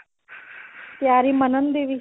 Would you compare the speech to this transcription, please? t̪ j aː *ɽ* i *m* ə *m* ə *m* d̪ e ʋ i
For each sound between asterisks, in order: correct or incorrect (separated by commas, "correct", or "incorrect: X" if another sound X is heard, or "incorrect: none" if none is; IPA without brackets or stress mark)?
incorrect: ɾ, correct, incorrect: n, incorrect: n